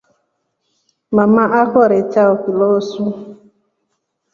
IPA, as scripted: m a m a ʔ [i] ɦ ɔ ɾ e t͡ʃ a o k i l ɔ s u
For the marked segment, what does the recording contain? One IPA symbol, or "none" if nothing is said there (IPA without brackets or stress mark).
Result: a